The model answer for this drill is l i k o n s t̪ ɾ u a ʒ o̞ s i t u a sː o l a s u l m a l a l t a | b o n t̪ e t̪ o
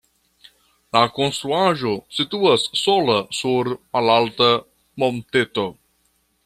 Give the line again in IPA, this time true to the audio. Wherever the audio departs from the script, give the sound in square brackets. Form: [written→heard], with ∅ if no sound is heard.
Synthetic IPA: l [i→a] k o n s t̪ ɾ u a ʒ o̞ s i t u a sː o l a s u [l→ɾ] m a l a l t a | [b→m] o n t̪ e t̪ o